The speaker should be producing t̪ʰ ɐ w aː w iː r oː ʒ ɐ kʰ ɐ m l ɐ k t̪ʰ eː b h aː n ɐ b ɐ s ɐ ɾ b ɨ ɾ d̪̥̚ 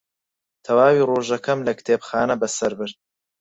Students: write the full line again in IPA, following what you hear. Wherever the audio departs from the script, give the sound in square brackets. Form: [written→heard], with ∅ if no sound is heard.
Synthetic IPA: t̪ʰ ɐ w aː w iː r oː ʒ ɐ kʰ ɐ m l ɐ k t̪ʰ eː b [h→x] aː n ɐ b ɐ s ɐ ɾ b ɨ ɾ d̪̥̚